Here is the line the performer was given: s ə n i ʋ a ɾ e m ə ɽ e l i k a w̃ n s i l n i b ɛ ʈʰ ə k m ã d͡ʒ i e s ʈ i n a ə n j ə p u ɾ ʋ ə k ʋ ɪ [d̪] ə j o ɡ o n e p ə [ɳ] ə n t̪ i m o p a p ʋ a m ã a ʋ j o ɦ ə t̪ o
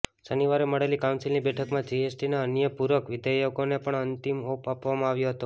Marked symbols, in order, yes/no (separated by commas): yes, yes